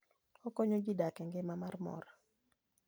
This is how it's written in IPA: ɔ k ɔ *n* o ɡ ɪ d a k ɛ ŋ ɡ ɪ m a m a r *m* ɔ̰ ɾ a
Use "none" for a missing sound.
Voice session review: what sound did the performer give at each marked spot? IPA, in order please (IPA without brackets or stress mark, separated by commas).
ɲ, m